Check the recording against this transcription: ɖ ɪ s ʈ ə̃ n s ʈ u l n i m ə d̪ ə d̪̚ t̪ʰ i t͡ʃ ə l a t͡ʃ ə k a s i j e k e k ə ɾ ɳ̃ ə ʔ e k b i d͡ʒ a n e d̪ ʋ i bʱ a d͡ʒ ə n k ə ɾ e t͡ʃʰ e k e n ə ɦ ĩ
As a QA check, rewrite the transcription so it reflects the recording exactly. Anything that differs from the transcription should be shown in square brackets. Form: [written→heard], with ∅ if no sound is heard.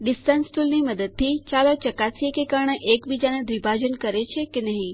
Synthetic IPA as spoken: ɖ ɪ s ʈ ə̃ n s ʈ u l n i m ə d̪ ə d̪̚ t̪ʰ i t͡ʃ [ə→a] l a t͡ʃ ə k a s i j e k e k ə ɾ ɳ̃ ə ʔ e k b i d͡ʒ a n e d̪ ʋ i bʱ a d͡ʒ ə n k ə ɾ e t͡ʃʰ e k e n ə ɦ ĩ